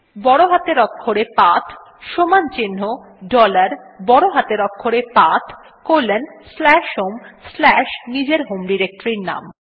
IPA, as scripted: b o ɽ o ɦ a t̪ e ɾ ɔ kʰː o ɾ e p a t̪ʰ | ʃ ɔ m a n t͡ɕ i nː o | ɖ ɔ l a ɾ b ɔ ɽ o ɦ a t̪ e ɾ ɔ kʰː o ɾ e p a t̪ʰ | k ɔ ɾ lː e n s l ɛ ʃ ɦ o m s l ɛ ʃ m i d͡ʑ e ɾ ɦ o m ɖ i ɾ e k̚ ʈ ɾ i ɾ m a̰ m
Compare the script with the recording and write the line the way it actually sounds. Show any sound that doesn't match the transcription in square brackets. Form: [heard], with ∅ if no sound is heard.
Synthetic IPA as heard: b [ɔ] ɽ o ɦ a t̪ e ɾ ɔ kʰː o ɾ e p a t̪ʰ | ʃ [o] m a n t͡ɕ i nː o | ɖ ɔ l a ɾ b ɔ ɽ o ɦ a t̪ e ɾ ɔ kʰː o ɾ e p a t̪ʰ | k [o] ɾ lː e n s l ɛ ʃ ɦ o m s l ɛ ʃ [n] i d͡ʑ e ɾ ɦ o m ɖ i ɾ e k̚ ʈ ɾ i ɾ [n] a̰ m